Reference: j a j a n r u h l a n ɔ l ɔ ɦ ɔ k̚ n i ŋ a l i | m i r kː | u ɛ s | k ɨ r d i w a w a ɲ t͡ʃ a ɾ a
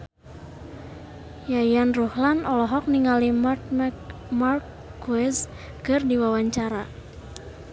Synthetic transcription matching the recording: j a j a n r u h l a n ɔ l ɔ ɦ ɔ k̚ n i ŋ a l i | m a r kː | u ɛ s | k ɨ r d i w a w a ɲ t͡ʃ a ɾ a